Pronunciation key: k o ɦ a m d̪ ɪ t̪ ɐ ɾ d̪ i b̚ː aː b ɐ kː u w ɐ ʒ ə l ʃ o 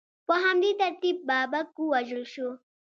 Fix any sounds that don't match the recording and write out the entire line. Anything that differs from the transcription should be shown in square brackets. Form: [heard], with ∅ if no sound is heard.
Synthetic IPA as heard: [p] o ɦ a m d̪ [i] t̪ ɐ ɾ [t̪] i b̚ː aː b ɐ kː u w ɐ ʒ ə l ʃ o